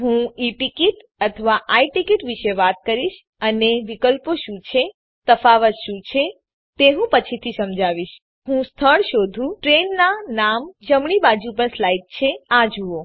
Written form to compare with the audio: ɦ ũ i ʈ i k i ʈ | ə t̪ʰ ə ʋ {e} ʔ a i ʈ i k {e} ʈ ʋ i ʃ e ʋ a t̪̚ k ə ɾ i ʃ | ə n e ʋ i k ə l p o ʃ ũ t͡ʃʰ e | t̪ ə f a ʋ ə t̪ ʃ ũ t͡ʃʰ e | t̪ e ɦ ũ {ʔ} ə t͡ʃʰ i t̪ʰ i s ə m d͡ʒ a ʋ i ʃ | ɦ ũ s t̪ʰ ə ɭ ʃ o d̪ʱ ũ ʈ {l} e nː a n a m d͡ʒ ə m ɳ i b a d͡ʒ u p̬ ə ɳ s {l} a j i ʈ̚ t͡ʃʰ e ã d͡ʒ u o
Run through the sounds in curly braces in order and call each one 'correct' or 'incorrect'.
incorrect: a, incorrect: i, incorrect: p, incorrect: ɾ, correct

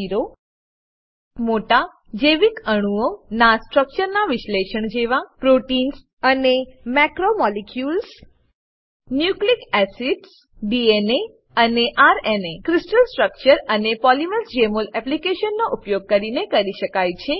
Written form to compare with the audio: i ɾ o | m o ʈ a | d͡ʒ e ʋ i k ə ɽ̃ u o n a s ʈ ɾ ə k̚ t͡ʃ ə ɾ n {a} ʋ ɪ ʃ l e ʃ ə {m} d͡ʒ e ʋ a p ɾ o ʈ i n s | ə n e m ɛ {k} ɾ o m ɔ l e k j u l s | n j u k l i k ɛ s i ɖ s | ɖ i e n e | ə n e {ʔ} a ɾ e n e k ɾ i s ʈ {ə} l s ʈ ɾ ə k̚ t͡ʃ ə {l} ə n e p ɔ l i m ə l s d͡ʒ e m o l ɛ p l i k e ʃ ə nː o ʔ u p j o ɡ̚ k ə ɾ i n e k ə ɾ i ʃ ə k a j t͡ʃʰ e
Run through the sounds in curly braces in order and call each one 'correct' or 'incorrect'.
correct, incorrect: ɳ, correct, correct, correct, incorrect: ɾ

